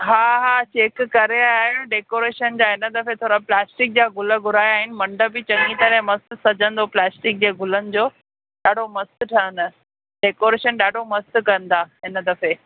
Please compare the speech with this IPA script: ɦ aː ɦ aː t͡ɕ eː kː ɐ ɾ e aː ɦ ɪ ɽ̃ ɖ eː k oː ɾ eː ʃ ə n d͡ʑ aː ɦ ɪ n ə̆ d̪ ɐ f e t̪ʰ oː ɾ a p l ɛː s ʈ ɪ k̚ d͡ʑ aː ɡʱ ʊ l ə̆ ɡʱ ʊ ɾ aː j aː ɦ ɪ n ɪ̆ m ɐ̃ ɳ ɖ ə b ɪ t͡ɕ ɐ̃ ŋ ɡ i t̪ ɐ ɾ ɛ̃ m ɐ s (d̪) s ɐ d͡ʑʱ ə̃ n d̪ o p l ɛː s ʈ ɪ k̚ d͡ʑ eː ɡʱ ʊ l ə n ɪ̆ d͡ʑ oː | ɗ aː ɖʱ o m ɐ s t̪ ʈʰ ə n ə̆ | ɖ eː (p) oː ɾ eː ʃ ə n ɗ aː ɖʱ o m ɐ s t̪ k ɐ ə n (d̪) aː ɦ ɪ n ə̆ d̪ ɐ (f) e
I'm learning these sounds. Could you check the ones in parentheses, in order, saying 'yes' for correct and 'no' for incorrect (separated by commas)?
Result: no, no, yes, yes